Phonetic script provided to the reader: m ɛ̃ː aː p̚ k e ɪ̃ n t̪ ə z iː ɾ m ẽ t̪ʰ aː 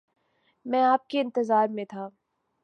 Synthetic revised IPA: m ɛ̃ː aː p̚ k e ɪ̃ n t̪ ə z aː ɾ m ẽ t̪ʰ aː